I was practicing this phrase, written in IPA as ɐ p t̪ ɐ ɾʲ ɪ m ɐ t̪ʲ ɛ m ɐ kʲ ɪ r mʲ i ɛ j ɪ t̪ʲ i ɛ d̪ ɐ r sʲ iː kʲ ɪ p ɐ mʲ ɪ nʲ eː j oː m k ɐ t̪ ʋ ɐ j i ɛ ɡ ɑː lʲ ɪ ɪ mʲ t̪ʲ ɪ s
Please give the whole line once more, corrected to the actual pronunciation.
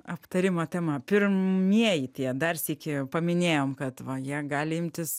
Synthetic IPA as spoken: ɐ p t̪ ɐ ɾʲ ɪ m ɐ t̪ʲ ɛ m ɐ pʲ ɪ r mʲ i ɛ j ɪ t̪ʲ i ɛ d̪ ɐ r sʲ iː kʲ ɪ p ɐ mʲ ɪ nʲ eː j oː m k ɐ t̪ ʋ ɐ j i ɛ ɡ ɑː lʲ ɪ ɪ mʲ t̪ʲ ɪ s